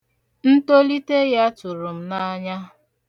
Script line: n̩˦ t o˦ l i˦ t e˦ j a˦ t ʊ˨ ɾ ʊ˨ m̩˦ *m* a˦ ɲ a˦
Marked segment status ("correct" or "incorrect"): incorrect